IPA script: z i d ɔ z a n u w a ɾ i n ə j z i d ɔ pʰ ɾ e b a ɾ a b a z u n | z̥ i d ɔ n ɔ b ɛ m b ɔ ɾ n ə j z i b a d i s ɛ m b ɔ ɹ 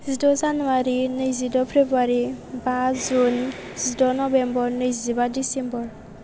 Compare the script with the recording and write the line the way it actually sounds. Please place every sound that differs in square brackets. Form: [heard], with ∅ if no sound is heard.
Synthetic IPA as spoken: z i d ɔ z a n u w a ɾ i n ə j z i d ɔ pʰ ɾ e b a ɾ [i] b a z u n | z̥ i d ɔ n ɔ b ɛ m b ɔ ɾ n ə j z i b a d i s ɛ m b ɔ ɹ